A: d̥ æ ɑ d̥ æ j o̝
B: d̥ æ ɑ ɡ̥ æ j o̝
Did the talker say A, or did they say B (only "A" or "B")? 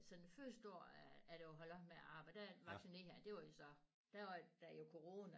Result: A